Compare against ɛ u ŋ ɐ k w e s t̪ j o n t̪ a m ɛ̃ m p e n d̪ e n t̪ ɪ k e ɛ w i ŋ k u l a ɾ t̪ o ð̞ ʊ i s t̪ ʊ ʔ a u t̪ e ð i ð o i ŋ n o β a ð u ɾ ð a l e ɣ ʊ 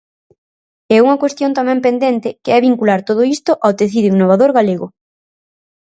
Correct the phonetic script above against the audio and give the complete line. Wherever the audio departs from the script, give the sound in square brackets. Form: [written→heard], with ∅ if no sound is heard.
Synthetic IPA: ɛ u ŋ ɐ k w e s t̪ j o n t̪ a m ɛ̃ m p e n d̪ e n t̪ ɪ k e ɛ [w→β] i ŋ k u l a ɾ t̪ o ð̞ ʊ i s t̪ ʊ ʔ a [u→w] t̪ e [ð→θ] i ð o i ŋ n o β a ð [u→o] ɾ [ð→ɣ] a l e ɣ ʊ